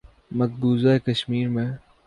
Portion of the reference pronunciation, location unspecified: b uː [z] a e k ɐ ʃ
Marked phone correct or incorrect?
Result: correct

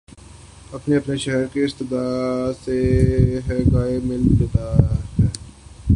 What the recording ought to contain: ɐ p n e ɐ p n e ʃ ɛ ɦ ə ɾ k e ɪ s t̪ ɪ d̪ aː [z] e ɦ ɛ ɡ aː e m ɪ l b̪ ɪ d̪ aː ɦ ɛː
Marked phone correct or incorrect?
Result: incorrect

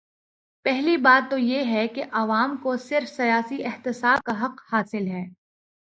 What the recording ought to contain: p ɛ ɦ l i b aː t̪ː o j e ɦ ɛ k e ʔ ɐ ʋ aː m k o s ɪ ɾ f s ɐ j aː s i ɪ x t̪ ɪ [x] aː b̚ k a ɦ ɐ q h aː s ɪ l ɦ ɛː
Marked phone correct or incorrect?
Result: incorrect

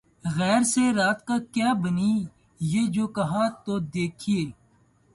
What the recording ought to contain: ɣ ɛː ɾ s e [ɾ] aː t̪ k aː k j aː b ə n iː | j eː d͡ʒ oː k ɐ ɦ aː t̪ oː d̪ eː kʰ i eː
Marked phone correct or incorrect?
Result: correct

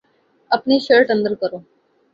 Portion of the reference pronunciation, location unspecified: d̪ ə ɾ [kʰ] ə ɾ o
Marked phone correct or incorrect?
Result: incorrect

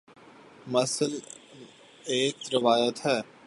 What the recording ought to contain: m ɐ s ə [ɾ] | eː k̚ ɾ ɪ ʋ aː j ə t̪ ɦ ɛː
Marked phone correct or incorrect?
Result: incorrect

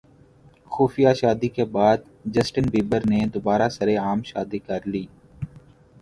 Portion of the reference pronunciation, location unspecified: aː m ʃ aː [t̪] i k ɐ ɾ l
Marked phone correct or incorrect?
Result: incorrect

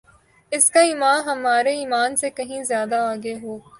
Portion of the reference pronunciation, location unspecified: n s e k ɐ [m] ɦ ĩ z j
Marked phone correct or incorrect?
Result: incorrect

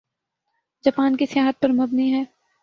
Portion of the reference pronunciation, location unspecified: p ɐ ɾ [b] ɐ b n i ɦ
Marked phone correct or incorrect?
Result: incorrect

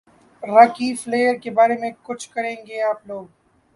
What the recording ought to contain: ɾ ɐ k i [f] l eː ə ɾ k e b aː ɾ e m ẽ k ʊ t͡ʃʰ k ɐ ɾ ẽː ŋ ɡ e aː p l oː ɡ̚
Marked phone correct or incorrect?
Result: correct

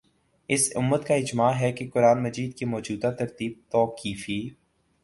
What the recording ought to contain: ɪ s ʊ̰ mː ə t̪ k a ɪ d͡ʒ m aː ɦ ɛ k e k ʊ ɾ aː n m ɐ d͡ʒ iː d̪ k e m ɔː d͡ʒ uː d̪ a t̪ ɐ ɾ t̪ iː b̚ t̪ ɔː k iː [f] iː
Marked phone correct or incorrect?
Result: correct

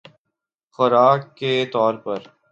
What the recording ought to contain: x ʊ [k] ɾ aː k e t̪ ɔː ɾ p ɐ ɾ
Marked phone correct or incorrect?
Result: incorrect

